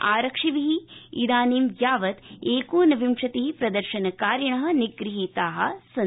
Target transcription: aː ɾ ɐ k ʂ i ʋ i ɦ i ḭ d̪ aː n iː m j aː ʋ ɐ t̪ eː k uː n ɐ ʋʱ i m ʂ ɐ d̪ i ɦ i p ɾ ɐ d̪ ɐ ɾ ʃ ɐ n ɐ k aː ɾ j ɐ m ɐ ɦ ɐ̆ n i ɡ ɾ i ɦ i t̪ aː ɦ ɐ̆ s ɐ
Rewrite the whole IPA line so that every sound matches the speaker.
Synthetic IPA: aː ɾ ɐ k ʂ i ʋ i ɦ i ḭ d̪ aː n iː m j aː ʋ ɐ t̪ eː k uː n ɐ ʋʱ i m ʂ ɐ t̪ i ɦ i p ɾ ɐ d̪ ɐ ɾ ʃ ɐ n ɐ k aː ɾ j ɐ ɳ ɐ ɦ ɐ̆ n i ɡ ɾ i ɦ i t̪ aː ɦ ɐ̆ s ɐ